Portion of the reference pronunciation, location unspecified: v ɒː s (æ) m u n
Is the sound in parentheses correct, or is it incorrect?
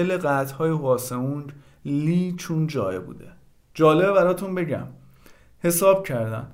incorrect